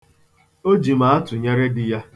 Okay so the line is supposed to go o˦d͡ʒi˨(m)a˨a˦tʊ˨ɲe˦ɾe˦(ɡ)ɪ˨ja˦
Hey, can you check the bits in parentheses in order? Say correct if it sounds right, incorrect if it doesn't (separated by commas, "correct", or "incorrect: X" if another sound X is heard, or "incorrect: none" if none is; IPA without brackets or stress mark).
correct, incorrect: d